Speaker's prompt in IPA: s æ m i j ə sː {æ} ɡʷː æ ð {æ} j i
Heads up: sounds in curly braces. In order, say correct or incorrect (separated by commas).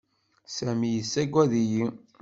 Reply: correct, incorrect